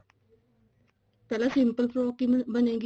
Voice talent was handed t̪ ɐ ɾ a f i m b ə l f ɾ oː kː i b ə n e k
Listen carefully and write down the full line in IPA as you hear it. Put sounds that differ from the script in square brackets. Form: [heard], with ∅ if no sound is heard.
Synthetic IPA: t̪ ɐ [l] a [s] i m [p] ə l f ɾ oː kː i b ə n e [ɡ]